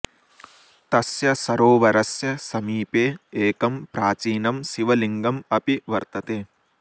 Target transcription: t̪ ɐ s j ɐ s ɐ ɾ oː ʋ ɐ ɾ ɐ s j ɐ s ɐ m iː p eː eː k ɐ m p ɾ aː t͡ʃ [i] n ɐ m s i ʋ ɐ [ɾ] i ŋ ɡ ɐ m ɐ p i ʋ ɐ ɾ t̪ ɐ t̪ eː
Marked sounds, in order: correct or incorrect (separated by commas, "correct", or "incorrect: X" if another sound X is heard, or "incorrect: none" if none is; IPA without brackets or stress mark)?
incorrect: iː, incorrect: l